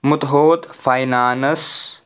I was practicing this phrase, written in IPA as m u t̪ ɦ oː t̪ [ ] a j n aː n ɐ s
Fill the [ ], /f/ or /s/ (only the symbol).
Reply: f